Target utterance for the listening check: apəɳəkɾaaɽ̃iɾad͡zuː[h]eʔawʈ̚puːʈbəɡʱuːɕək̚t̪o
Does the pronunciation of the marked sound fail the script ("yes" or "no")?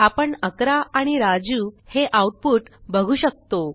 no